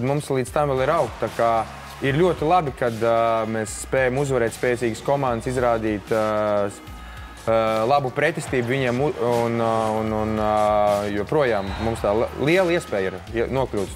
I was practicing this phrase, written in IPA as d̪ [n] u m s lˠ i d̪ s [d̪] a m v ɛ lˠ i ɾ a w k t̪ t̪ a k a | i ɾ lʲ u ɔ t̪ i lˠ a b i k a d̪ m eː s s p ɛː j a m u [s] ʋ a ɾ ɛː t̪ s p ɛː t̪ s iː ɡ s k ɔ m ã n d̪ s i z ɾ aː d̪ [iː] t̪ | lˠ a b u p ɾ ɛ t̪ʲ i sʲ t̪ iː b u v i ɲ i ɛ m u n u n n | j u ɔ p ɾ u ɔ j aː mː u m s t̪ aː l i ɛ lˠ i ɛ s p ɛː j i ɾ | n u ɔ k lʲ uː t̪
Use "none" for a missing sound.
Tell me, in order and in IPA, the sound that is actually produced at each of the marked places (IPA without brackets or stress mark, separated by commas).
m, t̪, z, iː